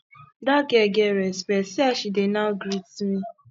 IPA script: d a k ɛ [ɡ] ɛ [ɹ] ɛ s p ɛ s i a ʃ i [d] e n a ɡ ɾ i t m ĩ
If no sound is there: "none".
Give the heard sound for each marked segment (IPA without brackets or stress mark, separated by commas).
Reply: ɡ, ɾ, d